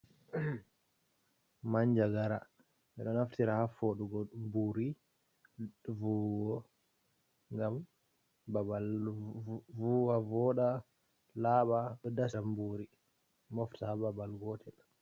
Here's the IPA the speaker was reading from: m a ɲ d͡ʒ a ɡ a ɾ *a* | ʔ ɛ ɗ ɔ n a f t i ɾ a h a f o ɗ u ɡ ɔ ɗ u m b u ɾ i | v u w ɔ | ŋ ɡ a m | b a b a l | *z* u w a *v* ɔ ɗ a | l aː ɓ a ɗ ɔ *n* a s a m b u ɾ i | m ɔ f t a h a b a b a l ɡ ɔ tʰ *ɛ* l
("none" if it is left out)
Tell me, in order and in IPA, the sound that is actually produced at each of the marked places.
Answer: a, v, v, d, ɛ

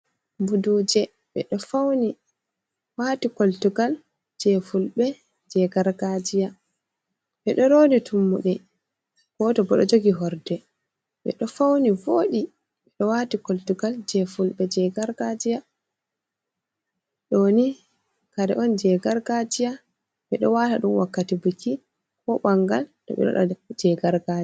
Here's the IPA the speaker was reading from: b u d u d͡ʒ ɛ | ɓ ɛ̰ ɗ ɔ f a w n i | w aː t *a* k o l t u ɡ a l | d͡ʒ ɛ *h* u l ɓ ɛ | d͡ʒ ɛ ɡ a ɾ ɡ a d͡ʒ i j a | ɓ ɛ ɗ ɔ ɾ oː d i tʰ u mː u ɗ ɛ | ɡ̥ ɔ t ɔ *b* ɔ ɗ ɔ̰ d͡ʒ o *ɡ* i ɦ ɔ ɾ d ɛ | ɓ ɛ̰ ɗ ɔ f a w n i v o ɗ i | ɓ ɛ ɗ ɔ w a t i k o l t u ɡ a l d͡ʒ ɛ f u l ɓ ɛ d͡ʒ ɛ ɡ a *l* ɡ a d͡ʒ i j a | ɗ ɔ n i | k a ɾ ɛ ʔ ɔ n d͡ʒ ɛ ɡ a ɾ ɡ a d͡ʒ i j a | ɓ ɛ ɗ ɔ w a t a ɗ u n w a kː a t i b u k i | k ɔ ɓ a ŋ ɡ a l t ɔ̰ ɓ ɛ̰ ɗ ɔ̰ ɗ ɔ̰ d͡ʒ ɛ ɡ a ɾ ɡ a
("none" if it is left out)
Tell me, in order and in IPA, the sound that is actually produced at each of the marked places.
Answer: i, f, b, ɡ, ɾ

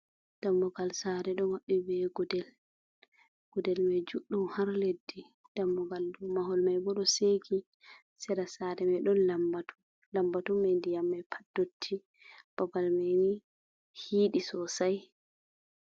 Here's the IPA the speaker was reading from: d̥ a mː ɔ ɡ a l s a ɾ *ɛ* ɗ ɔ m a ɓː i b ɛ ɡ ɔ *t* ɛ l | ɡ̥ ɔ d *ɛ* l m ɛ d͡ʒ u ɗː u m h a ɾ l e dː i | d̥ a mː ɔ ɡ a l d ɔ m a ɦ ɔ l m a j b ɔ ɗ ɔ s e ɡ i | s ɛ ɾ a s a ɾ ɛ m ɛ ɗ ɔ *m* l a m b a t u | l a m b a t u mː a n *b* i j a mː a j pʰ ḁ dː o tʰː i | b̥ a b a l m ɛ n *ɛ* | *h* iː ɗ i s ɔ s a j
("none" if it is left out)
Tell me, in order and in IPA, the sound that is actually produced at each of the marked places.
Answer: ɛ, d, ɛ, n, d, i, h

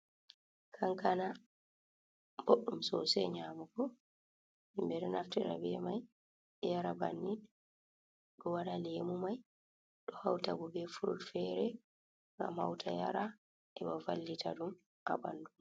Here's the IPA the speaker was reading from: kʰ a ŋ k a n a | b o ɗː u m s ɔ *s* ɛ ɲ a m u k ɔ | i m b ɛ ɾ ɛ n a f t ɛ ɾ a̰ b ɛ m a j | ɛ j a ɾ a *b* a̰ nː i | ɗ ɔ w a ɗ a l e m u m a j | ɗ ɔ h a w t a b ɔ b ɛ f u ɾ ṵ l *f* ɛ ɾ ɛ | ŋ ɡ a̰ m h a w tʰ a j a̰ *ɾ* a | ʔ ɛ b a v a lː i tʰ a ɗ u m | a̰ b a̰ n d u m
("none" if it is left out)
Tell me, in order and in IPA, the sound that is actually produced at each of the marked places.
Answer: s, b, f, ɾ

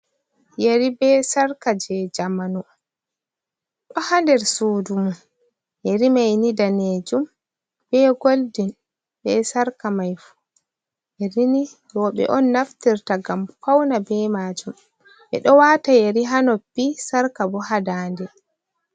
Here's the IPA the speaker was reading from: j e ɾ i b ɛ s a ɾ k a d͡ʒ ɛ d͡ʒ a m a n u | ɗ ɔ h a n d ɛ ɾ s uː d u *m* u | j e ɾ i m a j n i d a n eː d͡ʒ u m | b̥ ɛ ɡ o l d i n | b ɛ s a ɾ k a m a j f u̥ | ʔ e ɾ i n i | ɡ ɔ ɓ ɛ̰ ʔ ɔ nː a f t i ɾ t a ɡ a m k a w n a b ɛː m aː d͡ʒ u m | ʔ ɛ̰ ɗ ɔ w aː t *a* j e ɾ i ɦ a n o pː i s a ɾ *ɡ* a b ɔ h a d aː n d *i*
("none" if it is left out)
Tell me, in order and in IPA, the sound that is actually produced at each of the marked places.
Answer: m, a, k, ɛ

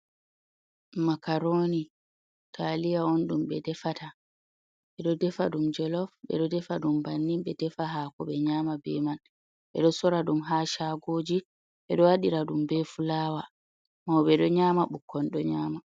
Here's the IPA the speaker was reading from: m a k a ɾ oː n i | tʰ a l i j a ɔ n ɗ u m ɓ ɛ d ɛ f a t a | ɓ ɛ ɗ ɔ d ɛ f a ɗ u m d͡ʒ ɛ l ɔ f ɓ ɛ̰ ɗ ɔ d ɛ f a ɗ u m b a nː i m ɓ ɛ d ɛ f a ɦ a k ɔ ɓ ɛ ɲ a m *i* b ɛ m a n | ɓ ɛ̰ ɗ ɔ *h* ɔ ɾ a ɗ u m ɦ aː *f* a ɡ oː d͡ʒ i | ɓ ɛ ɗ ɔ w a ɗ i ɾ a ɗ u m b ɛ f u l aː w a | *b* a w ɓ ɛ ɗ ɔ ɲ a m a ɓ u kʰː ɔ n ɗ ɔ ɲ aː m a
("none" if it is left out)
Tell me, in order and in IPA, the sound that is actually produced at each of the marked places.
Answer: a, s, ʃ, m

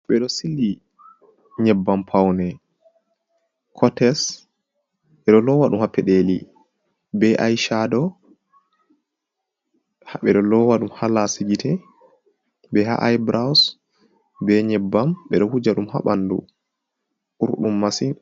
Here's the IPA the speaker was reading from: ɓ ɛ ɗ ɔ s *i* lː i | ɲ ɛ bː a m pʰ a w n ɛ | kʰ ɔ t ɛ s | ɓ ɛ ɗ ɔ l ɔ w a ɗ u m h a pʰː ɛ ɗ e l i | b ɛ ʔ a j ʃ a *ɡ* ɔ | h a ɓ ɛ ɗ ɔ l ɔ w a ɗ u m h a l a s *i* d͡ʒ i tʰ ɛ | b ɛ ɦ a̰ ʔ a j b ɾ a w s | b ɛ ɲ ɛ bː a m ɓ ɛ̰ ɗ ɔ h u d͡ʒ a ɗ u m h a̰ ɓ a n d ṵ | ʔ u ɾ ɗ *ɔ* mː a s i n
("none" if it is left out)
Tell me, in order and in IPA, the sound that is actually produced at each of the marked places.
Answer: i, d, i, u

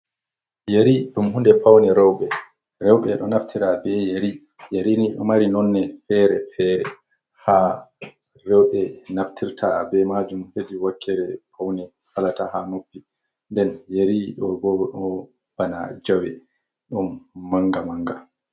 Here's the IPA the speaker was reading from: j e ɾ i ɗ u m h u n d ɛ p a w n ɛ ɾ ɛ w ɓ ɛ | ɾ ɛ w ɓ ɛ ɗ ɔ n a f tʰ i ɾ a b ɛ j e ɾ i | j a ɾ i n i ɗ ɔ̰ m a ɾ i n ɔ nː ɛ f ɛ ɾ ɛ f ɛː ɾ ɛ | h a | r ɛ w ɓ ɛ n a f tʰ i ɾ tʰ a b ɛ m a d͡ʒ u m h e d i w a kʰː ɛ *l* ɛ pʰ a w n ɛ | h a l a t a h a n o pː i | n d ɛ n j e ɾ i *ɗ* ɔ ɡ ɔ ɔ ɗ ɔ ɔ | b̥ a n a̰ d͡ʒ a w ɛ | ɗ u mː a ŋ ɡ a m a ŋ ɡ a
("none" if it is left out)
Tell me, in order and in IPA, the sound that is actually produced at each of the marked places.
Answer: ɾ, ɗ

